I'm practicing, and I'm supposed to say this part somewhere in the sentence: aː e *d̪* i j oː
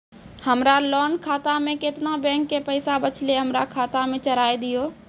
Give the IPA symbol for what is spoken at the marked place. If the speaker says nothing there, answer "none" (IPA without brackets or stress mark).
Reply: d̪